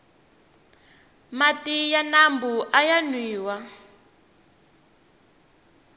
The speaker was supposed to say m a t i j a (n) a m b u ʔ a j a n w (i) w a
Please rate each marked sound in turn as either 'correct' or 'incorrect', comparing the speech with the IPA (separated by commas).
correct, incorrect